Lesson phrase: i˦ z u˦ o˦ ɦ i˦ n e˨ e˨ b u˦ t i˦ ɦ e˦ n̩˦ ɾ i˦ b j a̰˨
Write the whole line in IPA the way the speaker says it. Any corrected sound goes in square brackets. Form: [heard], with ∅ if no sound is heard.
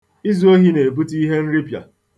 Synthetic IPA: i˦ z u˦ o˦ ɦ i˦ n e˨ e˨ b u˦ t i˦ ɦ e˦ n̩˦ ɾ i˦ [p] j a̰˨

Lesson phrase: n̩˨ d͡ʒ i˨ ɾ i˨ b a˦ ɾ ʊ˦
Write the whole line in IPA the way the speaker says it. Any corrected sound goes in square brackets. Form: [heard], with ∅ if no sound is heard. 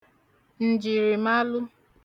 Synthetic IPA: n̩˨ d͡ʒ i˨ ɾ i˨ [m] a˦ [l] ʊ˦

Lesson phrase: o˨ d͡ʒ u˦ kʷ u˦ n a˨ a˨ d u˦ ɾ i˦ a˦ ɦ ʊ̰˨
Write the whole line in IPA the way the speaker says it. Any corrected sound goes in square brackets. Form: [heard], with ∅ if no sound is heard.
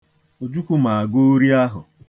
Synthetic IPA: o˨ d͡ʒ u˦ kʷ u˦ [m] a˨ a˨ [ɡ] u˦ ɾ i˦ a˦ ɦ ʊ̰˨

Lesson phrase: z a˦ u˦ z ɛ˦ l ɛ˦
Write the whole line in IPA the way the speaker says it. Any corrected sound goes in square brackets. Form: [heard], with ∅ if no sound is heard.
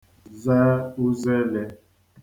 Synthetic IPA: z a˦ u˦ z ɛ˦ l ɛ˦

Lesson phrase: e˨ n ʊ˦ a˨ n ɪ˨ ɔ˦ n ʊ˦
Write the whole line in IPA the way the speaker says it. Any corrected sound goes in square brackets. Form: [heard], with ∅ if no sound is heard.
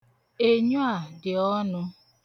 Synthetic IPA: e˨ [ɲ] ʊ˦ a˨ [d] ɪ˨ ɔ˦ n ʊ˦

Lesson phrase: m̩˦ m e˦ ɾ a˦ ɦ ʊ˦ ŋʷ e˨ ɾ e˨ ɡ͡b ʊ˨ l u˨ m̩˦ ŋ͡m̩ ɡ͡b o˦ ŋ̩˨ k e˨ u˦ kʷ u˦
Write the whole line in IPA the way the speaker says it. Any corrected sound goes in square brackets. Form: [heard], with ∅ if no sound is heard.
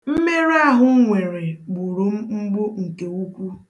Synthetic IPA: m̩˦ m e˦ ɾ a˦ ɦ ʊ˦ ŋʷ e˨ ɾ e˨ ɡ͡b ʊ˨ [ɾ] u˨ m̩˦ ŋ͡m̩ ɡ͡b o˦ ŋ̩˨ k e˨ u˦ kʷ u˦

